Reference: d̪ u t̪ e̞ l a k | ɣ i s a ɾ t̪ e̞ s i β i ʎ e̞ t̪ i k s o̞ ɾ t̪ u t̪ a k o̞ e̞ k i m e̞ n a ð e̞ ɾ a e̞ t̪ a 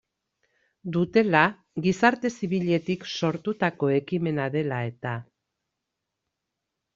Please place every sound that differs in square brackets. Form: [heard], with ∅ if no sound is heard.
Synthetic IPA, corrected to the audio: d̪ u t̪ e̞ l a [∅] | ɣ i s a ɾ t̪ e̞ s i β i ʎ e̞ t̪ i k s o̞ ɾ t̪ u t̪ a k o̞ e̞ k i m e̞ n a ð e̞ [l] a e̞ t̪ a